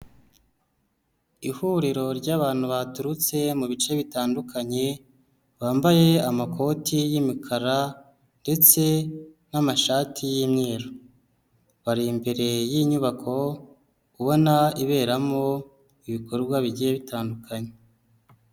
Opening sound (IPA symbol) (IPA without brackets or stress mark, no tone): i